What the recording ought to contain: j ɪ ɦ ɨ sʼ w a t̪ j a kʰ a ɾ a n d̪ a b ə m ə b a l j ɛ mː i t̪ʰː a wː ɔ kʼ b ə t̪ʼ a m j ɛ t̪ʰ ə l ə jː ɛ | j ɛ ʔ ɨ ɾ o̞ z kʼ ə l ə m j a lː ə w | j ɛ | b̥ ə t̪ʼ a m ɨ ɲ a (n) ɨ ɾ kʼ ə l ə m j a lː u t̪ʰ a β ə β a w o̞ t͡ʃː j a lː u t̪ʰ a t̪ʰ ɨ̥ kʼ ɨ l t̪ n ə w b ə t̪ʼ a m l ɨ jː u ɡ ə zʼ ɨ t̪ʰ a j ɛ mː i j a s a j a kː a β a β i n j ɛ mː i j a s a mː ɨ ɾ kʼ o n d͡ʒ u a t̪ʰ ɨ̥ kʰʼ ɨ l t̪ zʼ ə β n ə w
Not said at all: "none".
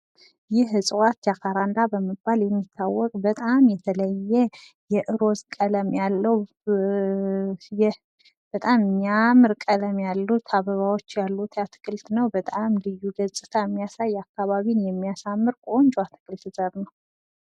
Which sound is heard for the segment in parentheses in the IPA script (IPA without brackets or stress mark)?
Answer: m